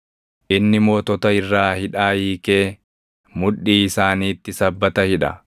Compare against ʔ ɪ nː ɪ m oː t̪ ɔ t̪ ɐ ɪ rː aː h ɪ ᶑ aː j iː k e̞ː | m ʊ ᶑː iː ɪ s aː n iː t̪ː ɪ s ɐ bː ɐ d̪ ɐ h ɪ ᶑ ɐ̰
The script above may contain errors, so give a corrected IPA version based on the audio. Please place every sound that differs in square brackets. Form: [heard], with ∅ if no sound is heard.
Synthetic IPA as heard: ʔ ɪ nː ɪ m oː t̪ ɔ t̪ ɐ ɪ rː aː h ɪ ᶑ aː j iː k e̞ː | m ʊ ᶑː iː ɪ s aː n iː t̪ː ɪ s ɐ bː ɐ [t̪] ɐ h ɪ ᶑ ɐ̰